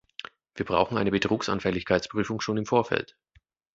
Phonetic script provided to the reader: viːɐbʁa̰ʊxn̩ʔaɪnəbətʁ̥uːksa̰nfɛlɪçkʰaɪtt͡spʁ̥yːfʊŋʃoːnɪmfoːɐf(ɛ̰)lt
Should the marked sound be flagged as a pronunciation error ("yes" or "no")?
no